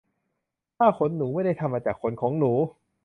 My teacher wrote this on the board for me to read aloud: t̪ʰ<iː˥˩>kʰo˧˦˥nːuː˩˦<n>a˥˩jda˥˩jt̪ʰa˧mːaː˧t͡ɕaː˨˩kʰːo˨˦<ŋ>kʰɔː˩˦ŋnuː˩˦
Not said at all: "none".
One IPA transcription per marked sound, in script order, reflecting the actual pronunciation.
aː˥˩, m, n

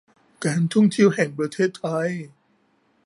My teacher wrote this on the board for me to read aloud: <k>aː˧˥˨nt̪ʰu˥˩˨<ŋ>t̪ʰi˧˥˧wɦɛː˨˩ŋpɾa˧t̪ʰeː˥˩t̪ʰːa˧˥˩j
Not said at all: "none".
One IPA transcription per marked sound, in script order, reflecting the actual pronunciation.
k, ŋ

